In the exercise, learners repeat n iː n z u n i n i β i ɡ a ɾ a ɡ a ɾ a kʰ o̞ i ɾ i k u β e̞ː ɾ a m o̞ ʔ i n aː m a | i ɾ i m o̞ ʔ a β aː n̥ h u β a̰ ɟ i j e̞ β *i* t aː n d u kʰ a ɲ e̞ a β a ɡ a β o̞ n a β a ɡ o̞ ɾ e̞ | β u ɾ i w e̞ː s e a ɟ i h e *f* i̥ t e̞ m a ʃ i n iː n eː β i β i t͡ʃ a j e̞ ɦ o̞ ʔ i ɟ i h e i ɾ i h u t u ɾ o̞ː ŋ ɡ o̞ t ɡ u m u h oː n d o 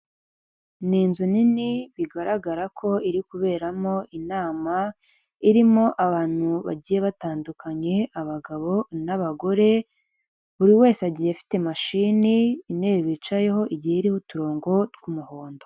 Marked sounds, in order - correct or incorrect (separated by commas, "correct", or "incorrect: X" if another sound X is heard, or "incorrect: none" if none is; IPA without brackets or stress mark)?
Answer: incorrect: a, correct